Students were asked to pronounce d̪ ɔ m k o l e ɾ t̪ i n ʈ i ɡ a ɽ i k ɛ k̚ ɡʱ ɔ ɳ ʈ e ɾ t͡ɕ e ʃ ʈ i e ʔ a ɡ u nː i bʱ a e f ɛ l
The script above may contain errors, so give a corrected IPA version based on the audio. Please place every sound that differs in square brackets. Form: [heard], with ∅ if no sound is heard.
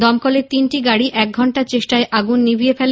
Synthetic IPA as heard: d̪ ɔ m k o l e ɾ t̪ i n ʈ i ɡ a ɽ i [ʔ] ɛ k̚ ɡʱ ɔ ɳ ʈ [a] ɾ t͡ɕ e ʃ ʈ [a] e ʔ a ɡ u nː i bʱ [i] e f ɛ l

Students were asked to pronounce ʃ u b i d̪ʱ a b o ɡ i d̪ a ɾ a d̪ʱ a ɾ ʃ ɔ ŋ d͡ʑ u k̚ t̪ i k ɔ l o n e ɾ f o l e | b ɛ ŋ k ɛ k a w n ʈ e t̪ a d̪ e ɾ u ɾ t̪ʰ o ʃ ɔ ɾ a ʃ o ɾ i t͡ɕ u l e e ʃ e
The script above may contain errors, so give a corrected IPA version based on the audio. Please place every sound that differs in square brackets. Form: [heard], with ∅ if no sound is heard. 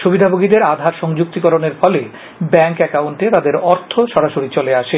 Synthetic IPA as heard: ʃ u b i d̪ʱ a b o ɡ i d̪ [e] ɾ a d̪ʱ a ɾ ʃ ɔ ŋ d͡ʑ u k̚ t̪ i k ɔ [ɾ] o n e ɾ f [ɔ] l e | b ɛ ŋ k ɛ k a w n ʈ e t̪ a d̪ e ɾ [ɔ] ɾ t̪ʰ o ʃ ɔ ɾ a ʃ o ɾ i t͡ɕ [o] l e [a] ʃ e

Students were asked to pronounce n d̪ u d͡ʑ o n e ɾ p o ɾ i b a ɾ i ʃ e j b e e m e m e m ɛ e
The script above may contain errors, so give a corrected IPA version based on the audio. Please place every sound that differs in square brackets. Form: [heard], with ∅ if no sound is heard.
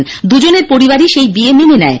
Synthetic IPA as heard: n d̪ u d͡ʑ o n e ɾ p o ɾ i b a ɾ i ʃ e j b [i] e m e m e [n] ɛ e

